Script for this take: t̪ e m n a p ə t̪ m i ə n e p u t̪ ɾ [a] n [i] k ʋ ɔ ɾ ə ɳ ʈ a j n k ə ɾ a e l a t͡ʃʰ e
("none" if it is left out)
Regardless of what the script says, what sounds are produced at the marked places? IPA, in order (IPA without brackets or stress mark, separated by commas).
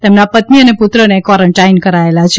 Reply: ə, e